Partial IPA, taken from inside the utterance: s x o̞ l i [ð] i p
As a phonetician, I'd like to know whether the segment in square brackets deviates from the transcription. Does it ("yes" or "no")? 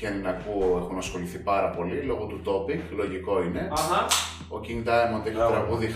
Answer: yes